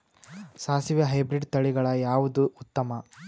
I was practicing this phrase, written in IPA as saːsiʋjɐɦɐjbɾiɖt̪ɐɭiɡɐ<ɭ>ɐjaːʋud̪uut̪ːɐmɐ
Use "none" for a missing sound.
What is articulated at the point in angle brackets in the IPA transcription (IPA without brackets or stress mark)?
ɭ